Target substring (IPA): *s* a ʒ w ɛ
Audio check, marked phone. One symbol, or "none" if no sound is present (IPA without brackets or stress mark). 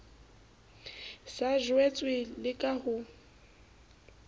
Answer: s